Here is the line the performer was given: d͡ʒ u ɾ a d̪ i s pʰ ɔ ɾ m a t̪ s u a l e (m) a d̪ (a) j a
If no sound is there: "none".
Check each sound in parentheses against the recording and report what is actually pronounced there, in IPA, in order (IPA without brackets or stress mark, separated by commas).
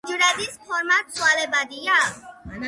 b, i